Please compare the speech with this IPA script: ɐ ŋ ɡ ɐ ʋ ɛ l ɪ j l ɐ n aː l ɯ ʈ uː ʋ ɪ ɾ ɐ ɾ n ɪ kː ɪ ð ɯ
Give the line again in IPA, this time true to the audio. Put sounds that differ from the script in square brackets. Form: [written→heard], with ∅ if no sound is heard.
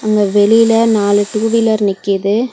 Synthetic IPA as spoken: ɐ ŋ ɡ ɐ ʋ ɛ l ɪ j l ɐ n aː l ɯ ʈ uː ʋ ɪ [ɾ→l] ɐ ɾ n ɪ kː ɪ ð ɯ